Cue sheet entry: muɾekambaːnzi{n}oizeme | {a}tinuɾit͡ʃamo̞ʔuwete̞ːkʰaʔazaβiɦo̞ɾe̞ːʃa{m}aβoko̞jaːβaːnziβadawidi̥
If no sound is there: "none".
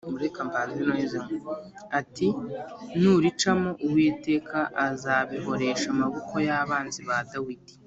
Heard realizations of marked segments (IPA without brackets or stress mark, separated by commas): n, a, m